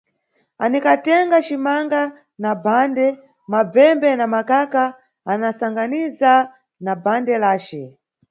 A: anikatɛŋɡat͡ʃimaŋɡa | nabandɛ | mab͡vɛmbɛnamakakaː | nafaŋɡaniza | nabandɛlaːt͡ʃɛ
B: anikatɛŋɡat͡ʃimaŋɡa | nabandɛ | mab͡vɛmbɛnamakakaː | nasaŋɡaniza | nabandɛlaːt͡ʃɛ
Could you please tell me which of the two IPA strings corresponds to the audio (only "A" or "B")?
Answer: B